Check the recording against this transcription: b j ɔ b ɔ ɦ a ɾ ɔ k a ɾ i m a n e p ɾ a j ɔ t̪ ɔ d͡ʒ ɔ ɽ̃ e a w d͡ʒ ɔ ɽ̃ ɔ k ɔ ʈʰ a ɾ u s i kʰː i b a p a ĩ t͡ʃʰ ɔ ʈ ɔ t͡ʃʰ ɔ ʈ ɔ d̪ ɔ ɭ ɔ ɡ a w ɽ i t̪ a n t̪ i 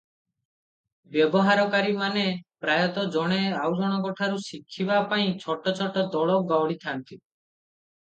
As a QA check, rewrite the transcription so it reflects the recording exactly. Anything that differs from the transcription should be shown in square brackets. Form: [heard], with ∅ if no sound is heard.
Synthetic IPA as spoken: b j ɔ b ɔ ɦ a ɾ ɔ k a ɾ i m a n e p ɾ a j ɔ t̪ ɔ d͡ʒ ɔ ɽ̃ e a w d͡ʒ ɔ ɽ̃ ɔ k ɔ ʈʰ a ɾ u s i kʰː i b a p a ĩ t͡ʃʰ ɔ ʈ ɔ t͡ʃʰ ɔ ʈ ɔ d̪ ɔ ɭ ɔ ɡ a w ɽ i [t̪ʰ] a n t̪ i